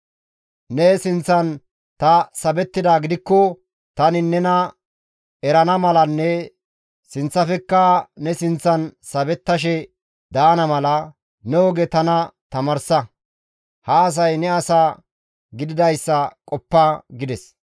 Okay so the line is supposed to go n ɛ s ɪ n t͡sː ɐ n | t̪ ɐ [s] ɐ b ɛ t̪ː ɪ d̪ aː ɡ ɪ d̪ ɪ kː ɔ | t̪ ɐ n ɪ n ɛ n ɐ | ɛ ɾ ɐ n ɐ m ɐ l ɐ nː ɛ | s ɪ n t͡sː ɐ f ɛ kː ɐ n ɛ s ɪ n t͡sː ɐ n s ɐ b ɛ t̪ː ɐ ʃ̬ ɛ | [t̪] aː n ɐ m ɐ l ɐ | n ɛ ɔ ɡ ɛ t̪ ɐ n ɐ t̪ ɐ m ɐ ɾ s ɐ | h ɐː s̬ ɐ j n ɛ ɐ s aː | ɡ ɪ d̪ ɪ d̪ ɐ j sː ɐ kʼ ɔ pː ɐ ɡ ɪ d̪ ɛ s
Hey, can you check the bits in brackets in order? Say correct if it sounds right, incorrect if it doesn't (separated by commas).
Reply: correct, incorrect